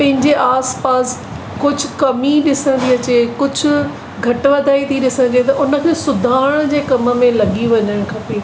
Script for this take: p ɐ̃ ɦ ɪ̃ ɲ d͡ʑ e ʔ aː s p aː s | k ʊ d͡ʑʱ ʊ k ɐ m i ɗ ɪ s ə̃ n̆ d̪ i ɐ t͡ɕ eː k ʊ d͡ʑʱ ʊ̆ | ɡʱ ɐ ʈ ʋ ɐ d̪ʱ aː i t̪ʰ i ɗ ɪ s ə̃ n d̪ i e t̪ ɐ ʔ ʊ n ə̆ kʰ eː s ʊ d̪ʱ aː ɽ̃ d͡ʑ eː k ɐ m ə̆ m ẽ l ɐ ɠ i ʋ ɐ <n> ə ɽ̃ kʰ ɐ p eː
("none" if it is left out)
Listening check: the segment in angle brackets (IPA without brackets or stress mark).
ɲ